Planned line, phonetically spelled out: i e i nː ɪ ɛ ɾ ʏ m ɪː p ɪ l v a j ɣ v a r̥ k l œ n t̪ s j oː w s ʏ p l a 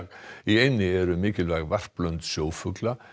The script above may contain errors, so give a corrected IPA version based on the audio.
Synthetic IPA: i e j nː ɪ ɛ ɾ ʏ m ɪː c ɪ l v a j ɣ v a r̥ p l œ n t̪ s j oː w f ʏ k l a

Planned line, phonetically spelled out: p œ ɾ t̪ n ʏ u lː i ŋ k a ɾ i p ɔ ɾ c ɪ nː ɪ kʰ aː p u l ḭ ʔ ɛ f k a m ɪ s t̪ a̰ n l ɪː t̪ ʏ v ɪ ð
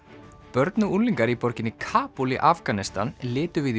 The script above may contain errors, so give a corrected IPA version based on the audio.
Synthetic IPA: p œ ɾ t̪ n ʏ u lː i ŋ k a ɾ i p ɔ ɾ c ɪ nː ɪ kʰ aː p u l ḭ ʔ a f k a n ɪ s t̪ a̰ n l ɪː t̪ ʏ v ɪ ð

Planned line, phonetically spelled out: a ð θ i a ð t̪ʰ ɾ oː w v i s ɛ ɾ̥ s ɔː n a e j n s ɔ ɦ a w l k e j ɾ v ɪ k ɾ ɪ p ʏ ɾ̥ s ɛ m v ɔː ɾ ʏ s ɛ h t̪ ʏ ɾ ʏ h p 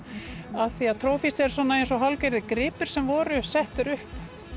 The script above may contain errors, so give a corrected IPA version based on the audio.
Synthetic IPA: a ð θ i a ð t̪ʰ ɾ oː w f i s ɛ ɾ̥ s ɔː n a e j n s ɔ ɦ a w l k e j ɾ ð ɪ k ɾ ɪː p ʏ ɾ̥ s ɛ m v ɔː ɾ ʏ s ɛ h t̪ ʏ ɾ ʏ h p

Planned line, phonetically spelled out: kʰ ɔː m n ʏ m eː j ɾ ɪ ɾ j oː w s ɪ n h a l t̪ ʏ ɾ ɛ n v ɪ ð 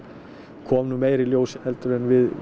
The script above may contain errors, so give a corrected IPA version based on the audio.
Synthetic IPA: kʰ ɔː m n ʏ m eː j ɾ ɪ l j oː w s ɪ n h ɛ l t̪ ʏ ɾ ɛ n v ɪ ð

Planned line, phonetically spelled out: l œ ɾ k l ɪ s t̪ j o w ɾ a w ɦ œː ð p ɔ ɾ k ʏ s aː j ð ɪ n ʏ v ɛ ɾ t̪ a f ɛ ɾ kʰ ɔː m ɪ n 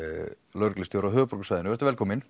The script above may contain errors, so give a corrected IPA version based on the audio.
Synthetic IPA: l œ ɾ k l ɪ s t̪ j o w ɾ a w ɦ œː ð p ɔ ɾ k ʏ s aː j ð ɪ n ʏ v ɛ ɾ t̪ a v ɛ l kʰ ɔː m ɪ n

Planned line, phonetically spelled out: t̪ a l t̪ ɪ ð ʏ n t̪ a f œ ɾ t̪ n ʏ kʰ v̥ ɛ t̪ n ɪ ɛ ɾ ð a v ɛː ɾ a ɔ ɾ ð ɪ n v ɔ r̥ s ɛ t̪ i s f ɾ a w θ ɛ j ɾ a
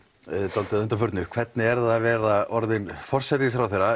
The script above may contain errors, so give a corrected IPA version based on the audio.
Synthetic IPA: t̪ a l t̪ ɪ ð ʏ n t̪ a f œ ɾ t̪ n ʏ kʰ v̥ ɛ t̪ n ɪ ɛ ɾ ð a v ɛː ɾ a ɔ ɾ ð ɪ n f ɔ r̥ s ɛ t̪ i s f ɾ a w θ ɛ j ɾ a

